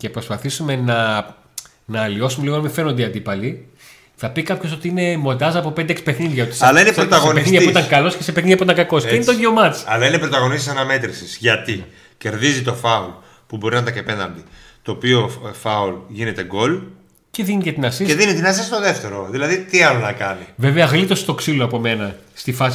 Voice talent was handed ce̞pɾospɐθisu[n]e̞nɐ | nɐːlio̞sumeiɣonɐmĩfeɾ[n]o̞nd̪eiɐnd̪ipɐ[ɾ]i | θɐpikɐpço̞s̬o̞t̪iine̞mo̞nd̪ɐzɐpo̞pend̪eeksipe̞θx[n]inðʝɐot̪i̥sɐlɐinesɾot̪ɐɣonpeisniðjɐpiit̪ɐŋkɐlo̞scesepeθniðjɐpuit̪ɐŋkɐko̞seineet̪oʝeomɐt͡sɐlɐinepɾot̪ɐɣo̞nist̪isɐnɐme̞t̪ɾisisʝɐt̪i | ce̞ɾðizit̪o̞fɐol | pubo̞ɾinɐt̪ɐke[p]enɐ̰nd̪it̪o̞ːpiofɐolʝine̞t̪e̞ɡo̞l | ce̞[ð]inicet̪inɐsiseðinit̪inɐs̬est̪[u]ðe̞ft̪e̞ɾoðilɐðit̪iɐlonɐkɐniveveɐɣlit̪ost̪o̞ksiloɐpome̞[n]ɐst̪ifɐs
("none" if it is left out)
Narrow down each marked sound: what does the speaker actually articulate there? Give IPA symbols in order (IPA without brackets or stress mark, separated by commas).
m, n, l, n, p, ð, o, n